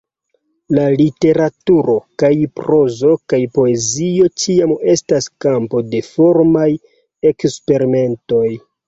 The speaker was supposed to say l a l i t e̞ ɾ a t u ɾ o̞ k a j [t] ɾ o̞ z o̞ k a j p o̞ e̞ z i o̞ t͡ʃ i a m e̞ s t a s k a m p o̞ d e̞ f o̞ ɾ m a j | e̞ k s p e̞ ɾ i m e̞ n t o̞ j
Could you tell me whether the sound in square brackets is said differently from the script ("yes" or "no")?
yes